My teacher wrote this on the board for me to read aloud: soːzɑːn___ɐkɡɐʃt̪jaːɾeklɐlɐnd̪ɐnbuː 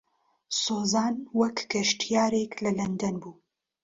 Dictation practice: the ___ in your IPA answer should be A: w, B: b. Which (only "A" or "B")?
A